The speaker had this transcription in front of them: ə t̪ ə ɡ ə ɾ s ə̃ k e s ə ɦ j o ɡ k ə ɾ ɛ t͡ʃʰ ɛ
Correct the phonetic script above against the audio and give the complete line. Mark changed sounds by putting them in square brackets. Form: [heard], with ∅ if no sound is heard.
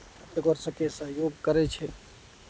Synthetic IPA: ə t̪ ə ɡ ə ɾ s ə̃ k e s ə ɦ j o ɡ k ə ɾ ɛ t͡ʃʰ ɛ